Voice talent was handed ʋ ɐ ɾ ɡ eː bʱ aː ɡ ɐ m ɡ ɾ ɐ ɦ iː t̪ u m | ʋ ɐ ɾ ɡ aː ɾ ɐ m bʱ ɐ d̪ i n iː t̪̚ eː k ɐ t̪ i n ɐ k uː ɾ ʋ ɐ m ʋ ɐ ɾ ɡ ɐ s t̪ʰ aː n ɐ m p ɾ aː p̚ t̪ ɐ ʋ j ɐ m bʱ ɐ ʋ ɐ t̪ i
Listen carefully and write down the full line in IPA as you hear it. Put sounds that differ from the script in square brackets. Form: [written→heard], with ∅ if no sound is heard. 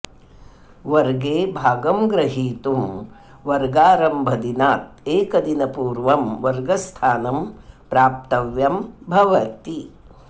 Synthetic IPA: ʋ ɐ ɾ ɡ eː bʱ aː ɡ ɐ m ɡ ɾ ɐ ɦ iː t̪ u m | ʋ ɐ ɾ ɡ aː ɾ ɐ m bʱ ɐ d̪ i n [iː→aː] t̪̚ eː k ɐ [t̪→d̪] i n ɐ [k→p] uː ɾ ʋ ɐ m ʋ ɐ ɾ ɡ ɐ s t̪ʰ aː n ɐ m p ɾ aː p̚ t̪ ɐ ʋ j ɐ m bʱ ɐ ʋ ɐ t̪ i